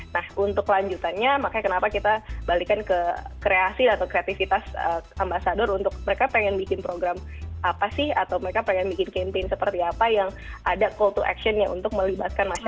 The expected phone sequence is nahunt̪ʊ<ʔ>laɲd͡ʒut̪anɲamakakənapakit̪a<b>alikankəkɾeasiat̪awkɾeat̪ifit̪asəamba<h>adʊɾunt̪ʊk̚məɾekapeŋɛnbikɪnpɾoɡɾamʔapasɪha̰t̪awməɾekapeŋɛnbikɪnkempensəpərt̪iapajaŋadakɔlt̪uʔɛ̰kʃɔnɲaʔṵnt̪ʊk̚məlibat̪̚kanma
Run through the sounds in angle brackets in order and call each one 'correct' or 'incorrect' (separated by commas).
incorrect, correct, incorrect